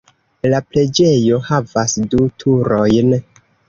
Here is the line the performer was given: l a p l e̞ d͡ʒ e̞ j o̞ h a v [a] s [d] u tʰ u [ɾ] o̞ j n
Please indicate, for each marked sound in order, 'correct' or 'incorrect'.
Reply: correct, correct, correct

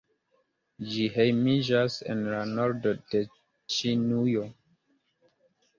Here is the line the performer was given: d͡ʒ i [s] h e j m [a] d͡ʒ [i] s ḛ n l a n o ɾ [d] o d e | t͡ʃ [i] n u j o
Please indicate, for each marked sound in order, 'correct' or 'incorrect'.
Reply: incorrect, incorrect, incorrect, correct, correct

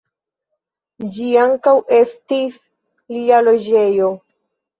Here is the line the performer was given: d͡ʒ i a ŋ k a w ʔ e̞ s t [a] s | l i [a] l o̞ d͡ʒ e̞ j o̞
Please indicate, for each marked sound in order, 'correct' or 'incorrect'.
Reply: incorrect, correct

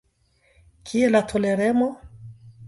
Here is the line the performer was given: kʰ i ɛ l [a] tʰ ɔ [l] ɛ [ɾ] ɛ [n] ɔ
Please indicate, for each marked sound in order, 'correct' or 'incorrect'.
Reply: correct, correct, correct, incorrect

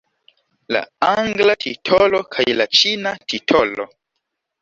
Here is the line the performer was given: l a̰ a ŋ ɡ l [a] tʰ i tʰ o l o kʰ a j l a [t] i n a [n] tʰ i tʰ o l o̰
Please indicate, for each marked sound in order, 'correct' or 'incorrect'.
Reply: correct, incorrect, incorrect

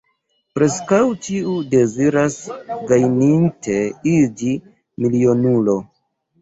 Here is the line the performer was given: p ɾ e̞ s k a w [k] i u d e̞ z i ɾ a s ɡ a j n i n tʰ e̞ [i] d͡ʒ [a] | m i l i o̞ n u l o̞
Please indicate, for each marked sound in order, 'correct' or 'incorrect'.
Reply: incorrect, correct, incorrect

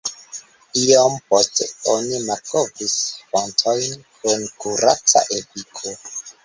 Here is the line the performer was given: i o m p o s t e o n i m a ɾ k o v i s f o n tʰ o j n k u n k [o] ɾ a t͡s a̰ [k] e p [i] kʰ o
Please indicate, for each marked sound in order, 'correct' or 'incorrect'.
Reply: incorrect, incorrect, correct

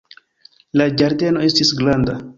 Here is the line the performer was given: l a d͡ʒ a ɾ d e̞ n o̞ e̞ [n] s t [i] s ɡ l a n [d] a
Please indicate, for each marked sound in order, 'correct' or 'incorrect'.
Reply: incorrect, correct, correct

